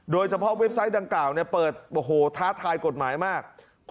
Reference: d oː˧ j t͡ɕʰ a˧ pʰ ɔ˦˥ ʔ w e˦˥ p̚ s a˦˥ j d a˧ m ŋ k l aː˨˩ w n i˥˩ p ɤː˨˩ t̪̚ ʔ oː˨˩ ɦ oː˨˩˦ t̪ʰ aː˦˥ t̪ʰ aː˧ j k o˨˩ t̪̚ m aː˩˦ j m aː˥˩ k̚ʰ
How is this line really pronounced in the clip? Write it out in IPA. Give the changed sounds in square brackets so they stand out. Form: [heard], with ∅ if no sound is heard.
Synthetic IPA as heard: d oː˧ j t͡ɕʰ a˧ pʰ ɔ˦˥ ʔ w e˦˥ p̚ s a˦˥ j d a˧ [∅] ŋ k l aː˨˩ w n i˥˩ p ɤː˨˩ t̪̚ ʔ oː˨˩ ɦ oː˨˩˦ t̪ʰ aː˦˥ t̪ʰ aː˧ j k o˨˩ t̪̚ m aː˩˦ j m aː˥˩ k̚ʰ